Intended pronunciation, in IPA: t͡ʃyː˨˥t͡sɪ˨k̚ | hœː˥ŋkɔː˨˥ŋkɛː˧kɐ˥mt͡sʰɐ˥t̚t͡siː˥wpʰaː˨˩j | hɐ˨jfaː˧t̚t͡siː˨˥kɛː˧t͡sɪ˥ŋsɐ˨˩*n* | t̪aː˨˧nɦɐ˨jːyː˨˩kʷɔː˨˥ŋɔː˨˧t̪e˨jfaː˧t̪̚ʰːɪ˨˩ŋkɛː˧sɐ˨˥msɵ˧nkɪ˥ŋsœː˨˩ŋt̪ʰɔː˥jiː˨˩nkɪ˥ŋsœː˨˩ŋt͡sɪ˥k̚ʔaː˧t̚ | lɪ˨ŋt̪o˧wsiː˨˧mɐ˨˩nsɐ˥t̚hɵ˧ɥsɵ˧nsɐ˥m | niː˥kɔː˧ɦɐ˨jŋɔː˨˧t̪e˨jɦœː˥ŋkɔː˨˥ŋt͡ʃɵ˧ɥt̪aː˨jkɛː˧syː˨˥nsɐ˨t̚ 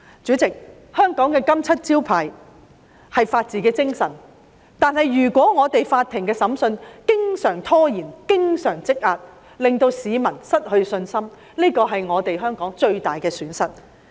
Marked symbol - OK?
yes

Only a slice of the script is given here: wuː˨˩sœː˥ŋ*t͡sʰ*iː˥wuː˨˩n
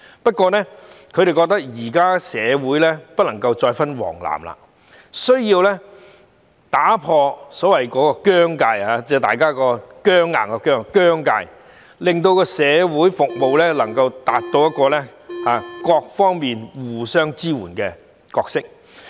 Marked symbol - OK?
no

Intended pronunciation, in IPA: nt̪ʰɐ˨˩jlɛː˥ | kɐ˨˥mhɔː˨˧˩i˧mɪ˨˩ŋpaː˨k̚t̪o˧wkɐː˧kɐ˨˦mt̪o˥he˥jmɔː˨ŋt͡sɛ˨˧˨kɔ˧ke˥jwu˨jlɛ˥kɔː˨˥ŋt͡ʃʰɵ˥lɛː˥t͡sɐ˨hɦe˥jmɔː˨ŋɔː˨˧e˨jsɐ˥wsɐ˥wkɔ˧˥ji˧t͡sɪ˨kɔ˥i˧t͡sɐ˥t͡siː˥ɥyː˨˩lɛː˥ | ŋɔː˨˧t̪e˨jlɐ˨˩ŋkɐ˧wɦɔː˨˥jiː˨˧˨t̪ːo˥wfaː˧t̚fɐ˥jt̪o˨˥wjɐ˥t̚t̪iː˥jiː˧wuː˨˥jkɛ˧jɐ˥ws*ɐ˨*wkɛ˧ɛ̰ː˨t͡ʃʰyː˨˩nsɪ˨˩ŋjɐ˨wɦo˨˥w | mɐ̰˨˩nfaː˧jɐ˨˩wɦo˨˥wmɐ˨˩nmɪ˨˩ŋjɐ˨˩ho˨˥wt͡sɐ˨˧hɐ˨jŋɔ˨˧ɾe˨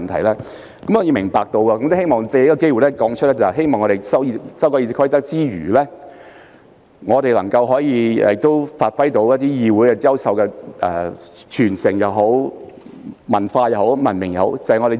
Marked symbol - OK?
yes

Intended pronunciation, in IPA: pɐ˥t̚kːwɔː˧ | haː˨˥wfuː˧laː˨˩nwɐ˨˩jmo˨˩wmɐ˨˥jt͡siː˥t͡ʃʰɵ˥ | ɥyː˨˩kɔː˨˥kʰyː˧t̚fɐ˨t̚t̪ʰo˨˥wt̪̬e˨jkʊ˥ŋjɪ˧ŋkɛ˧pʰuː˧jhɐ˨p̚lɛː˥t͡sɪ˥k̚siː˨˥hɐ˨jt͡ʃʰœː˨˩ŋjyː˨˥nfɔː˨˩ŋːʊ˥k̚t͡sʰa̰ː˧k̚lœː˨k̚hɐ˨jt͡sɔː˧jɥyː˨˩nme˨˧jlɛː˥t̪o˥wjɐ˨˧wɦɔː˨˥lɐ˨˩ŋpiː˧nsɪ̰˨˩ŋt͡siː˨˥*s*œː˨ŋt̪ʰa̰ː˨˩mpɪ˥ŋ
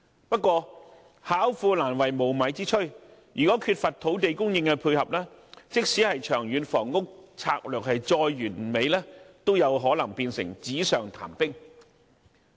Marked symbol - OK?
yes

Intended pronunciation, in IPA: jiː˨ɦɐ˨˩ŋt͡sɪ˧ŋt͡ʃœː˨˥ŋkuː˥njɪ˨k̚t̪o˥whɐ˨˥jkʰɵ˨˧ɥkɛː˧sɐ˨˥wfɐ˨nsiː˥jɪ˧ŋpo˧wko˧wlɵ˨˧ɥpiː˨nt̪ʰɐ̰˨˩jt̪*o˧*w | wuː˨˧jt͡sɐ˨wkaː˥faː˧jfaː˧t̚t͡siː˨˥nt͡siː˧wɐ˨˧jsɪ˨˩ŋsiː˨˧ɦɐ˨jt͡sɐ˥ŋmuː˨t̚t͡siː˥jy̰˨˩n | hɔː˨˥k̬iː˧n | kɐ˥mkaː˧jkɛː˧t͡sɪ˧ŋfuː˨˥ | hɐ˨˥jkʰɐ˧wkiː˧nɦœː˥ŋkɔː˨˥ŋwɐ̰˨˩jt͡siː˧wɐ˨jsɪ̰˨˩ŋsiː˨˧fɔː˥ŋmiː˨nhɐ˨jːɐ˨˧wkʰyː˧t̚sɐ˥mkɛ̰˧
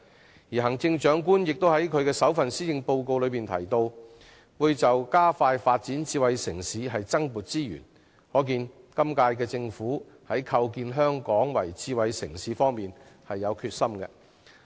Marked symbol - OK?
yes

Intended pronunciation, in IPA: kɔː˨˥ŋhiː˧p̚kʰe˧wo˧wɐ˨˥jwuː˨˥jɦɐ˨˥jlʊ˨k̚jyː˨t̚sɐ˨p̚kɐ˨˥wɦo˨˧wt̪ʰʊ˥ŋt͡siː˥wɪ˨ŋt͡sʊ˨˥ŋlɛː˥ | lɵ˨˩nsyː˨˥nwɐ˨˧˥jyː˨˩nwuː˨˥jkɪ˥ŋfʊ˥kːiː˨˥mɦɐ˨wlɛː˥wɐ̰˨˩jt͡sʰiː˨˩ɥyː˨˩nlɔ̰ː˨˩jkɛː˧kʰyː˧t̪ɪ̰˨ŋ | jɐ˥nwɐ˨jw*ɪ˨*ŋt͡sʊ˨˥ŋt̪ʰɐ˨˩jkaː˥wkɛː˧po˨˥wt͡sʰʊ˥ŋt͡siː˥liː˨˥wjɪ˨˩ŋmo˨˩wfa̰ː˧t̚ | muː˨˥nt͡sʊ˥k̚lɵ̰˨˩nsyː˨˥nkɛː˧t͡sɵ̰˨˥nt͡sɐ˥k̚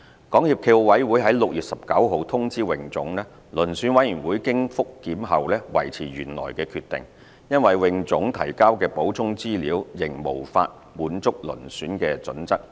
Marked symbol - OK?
yes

